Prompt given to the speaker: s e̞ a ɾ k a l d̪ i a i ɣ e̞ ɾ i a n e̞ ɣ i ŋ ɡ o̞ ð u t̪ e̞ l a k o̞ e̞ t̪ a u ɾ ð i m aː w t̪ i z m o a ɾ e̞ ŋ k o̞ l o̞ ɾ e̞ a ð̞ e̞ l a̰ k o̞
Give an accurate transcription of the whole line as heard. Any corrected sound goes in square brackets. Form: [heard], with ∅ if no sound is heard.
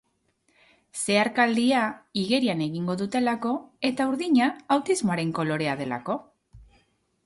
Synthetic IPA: s e̞ a ɾ k a l d̪ i a i ɣ e̞ ɾ i a n e̞ ɣ i ŋ ɡ o̞ ð u t̪ e̞ l a k o̞ e̞ t̪ a u ɾ ð i [ɲ] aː w t̪ i z m o a ɾ e̞ ŋ k o̞ l o̞ ɾ e̞ a ð̞ e̞ l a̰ k o̞